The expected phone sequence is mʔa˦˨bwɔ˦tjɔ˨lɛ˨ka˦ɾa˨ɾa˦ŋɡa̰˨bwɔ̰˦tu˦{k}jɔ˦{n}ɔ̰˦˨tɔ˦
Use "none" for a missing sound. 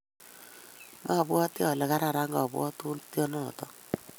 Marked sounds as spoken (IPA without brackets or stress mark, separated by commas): t, n